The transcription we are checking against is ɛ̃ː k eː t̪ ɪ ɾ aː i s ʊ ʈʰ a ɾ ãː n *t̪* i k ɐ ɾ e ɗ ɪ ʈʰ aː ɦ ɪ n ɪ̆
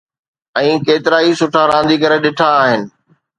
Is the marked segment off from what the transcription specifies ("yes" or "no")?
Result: yes